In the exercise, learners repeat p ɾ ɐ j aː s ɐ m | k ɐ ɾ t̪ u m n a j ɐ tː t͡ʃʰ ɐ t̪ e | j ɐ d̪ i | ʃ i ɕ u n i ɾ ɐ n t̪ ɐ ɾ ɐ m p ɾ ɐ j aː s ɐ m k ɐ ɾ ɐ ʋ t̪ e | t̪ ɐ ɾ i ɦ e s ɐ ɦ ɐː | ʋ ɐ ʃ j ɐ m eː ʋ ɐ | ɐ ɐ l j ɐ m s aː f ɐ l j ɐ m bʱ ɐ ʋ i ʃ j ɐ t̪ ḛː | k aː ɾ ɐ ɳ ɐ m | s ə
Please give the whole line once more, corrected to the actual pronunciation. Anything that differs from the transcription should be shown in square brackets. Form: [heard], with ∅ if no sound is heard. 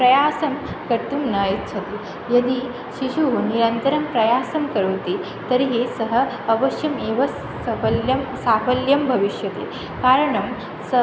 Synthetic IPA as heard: p ɾ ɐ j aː s ɐ m | k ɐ ɾ t̪ u m n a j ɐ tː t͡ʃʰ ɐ t̪ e | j ɐ d̪ i | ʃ i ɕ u n i ɾ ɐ n t̪ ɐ ɾ ɐ m p ɾ ɐ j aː s ɐ m k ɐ ɾ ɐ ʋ t̪ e | t̪ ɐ ɾ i ɦ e s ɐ ɦ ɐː | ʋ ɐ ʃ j ɐ m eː ʋ ɐ | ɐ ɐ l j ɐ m s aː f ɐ l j ɐ m bʱ ɐ ʋ i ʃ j ɐ t̪ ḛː | k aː ɾ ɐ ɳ ɐ m | s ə